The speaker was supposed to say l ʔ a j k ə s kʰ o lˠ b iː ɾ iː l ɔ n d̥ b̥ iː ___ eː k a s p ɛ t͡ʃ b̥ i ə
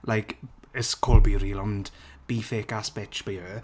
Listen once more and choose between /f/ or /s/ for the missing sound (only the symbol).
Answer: f